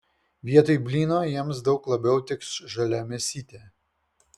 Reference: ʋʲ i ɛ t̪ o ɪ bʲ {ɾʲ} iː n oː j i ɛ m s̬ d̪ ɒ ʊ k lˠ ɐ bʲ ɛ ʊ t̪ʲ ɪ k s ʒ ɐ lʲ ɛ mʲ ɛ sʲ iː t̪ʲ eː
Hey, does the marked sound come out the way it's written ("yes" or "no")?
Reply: no